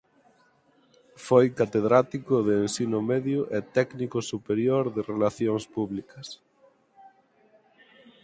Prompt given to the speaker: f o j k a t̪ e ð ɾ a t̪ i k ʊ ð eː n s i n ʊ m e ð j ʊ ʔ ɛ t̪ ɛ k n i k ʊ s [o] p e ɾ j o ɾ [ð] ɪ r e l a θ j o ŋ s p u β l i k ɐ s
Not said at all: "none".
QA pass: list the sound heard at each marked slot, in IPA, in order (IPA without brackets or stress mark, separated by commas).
u, ð